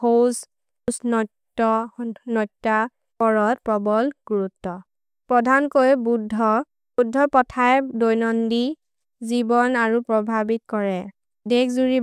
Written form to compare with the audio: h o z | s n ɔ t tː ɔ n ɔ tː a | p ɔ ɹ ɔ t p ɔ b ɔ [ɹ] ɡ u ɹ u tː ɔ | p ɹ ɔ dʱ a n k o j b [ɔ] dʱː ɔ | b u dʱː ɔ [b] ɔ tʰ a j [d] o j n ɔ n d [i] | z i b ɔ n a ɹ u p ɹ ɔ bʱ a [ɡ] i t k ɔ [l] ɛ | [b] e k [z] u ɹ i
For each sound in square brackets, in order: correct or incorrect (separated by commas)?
incorrect, incorrect, incorrect, correct, correct, incorrect, incorrect, incorrect, correct